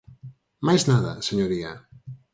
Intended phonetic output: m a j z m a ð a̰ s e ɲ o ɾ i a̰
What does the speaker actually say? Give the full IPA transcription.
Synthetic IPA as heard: m a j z n a ð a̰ s e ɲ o ɾ i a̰